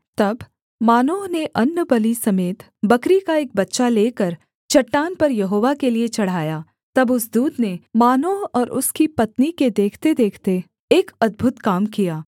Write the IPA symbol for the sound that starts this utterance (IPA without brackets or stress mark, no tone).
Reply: t̪